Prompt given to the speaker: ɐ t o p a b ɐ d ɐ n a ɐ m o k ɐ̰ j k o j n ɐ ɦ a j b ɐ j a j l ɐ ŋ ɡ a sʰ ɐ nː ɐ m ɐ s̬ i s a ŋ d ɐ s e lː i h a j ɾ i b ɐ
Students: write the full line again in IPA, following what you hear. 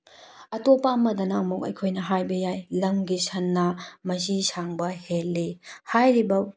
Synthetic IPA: ɐ t o p a m ɐ d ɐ n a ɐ m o k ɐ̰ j kʰ o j n ɐ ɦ a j b ɐ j a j l ɐ ŋ ɡ i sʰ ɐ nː ɐ m ɐ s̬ i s a ŋ b ɐ h e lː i h a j ɾ i b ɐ

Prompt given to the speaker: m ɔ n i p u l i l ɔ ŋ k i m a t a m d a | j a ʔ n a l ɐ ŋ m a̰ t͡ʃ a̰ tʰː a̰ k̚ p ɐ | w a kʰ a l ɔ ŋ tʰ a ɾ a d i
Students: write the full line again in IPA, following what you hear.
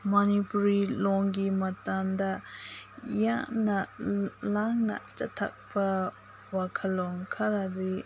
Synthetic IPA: m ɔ n i p u ɾ i l ɔ ŋ ɡ i m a t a m d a | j a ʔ n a l a ŋ n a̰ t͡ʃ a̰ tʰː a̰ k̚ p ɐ | w a kʰ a l ɔ ŋ kʰ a ɾ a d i

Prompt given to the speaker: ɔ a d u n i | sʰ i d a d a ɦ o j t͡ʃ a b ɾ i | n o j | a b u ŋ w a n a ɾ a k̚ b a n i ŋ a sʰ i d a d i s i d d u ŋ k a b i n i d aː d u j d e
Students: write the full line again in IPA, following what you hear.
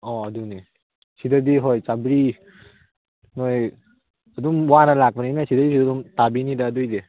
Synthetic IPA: ɔ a d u n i | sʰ i d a d i ɦ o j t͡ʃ a b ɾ i | n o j | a d u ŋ w a n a l a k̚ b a n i n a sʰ i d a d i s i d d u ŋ t a b i n i d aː d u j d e

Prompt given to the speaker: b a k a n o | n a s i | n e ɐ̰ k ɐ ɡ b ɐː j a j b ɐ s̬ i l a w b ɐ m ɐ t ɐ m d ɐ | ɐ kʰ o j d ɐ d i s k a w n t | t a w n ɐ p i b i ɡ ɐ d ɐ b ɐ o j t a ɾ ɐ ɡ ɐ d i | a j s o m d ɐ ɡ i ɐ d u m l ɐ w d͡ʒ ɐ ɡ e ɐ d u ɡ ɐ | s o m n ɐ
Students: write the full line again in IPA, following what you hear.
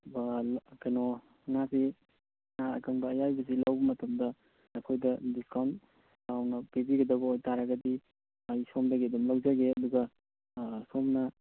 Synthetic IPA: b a k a n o | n a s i | n a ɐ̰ k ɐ ŋ b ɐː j a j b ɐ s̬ i l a w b ɐ m ɐ t ɐ m d ɐ | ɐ kʰ o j d ɐ d i s k a w n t | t a w n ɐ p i b i ɡ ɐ d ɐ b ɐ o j t a ɾ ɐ ɡ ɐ d i | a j s o m d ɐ ɡ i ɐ d u m l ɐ w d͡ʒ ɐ ɡ e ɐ d u ɡ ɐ | s o m n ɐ

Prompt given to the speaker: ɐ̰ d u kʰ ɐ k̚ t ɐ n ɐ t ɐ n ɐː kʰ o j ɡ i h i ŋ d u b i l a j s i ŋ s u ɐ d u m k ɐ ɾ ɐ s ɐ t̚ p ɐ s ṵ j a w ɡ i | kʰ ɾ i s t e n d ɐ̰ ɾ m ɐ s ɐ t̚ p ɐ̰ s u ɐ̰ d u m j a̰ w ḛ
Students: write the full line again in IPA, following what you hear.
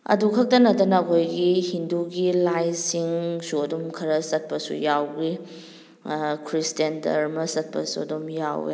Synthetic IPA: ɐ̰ d u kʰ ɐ k̚ t ɐ n ɐ t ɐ n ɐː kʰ o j ɡ i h i n d u ɡ i l a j s i ŋ s u ɐ d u m kʰ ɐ ɾ ɐ s ɐ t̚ p ɐ s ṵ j a w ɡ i | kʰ ɾ i s t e n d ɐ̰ ɾ m ɐ s ɐ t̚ p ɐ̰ s u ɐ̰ d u m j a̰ w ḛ

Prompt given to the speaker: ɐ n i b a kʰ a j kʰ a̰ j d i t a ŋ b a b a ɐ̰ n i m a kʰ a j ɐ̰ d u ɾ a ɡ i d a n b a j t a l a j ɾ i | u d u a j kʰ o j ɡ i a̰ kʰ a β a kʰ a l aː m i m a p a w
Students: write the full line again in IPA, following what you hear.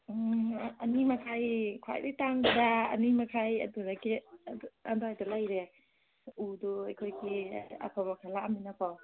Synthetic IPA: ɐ n i m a kʰ a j kʰ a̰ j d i t a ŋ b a d a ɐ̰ n i m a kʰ a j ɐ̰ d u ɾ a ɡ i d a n d a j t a l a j ɾ e | u d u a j kʰ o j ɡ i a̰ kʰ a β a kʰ a l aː m i n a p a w

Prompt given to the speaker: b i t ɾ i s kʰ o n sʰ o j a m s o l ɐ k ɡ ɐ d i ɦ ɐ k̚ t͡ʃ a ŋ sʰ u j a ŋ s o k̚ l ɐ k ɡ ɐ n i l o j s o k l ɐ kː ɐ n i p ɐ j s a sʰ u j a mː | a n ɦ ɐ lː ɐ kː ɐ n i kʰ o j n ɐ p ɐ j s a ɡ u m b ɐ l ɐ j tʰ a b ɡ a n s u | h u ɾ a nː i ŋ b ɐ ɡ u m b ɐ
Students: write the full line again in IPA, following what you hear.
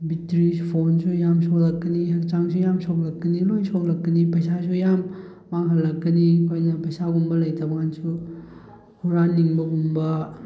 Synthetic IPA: b i t ɾ i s pʰ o n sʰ u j a m s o l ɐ k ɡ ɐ n i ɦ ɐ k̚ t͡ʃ a ŋ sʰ u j a m s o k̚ l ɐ k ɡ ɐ n i l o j s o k l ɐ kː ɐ n i p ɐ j s a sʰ u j a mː | a ŋ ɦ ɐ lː ɐ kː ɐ n i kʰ o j n ɐ p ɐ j s a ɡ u m b ɐ l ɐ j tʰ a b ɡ a n s u | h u ɾ a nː i ŋ b ɐ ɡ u m b ɐ

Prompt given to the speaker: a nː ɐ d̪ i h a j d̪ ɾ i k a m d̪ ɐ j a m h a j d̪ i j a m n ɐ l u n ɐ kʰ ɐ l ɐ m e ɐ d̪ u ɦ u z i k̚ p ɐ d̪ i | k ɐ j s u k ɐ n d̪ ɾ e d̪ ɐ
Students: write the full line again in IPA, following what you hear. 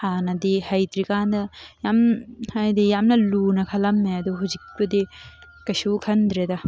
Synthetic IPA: a n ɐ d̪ i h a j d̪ ɾ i k a n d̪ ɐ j a m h a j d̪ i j a m n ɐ l u n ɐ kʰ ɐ l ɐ m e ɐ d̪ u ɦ u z i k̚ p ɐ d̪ i | k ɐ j s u kʰ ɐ n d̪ ɾ e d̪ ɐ

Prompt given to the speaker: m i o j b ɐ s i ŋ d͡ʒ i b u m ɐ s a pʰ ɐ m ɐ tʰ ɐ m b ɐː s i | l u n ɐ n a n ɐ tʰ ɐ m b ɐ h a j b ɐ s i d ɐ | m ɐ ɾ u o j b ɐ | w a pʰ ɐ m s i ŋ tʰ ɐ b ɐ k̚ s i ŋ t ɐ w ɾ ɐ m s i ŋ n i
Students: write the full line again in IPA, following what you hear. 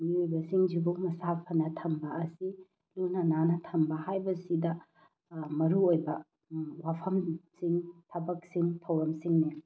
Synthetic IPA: m i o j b ɐ s i ŋ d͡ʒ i b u m ɐ s a pʰ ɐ n ɐ tʰ ɐ m b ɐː s i | l u n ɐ n a n ɐ tʰ ɐ m b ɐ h a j b ɐ s i d ɐ | m ɐ ɾ u o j b ɐ | w a pʰ ɐ m s i ŋ tʰ ɐ b ɐ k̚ s i ŋ tʰ ɐ w ɾ ɐ m s i ŋ n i

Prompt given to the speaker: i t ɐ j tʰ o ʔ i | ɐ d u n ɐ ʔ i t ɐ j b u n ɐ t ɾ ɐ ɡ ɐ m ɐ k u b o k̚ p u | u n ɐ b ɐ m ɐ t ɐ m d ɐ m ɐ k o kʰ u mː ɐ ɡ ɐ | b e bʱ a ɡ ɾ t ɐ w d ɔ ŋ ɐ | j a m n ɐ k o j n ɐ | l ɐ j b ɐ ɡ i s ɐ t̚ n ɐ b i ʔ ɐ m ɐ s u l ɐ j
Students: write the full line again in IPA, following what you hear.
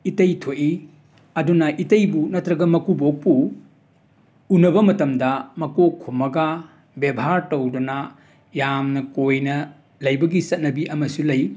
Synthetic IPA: i t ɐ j tʰ o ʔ i | ɐ d u n ɐ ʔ i t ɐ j b u n ɐ t ɾ ɐ ɡ ɐ m ɐ k u b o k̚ p u | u n ɐ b ɐ m ɐ t ɐ m d ɐ m ɐ k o kʰ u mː ɐ ɡ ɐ | b e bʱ a ɾ t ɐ w d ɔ n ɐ | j a m n ɐ k o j n ɐ | l ɐ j b ɐ ɡ i s ɐ t̚ n ɐ b i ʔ ɐ m ɐ s u l ɐ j

